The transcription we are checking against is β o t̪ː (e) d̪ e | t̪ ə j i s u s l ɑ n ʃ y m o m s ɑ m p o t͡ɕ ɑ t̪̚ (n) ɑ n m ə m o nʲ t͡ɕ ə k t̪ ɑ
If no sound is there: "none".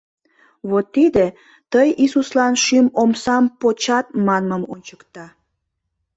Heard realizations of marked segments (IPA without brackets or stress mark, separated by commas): i, m